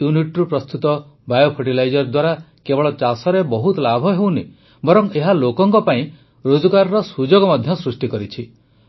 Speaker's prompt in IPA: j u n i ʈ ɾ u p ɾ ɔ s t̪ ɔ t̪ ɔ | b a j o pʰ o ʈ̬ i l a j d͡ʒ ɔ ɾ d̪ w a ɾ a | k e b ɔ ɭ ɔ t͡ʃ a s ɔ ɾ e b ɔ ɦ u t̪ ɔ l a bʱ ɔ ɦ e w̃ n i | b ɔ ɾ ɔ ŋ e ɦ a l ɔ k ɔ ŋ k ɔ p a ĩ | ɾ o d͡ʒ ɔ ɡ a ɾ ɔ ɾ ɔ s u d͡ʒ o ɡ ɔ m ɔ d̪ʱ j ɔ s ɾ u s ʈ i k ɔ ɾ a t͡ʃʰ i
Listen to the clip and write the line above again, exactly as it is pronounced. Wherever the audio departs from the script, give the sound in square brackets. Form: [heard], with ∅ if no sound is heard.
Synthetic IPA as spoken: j u n i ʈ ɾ u p ɾ ɔ s t̪ [u] t̪ ɔ | b a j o pʰ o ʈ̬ i l a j d͡ʒ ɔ ɾ d̪ w a ɾ a | k e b ɔ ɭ ɔ t͡ʃ a s ɔ ɾ e b ɔ ɦ u t̪ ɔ l a bʱ ɔ ɦ e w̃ n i | b ɔ ɾ ɔ ŋ e ɦ a l [o] k ɔ ŋ k ɔ p a ĩ | ɾ o d͡ʒ ɔ ɡ a ɾ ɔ ɾ ɔ s u d͡ʒ o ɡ ɔ m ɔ d̪ʱ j ɔ s ɾ u s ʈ i k ɔ ɾ [i] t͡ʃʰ i